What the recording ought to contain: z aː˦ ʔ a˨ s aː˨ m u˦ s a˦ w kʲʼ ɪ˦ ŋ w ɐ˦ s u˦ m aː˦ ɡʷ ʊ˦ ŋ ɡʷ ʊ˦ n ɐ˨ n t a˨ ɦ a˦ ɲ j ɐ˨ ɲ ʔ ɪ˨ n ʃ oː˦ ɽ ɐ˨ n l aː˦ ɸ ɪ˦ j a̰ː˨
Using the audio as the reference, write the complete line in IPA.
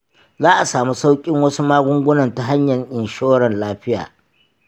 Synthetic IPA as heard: z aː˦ ʔ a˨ s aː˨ m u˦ s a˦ w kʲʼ ɪ˦ ŋ w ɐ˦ s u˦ m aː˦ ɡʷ ʊ˦ ŋ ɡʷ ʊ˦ n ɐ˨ n t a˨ ɦ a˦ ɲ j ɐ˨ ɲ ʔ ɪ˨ n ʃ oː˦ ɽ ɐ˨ n l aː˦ ɸ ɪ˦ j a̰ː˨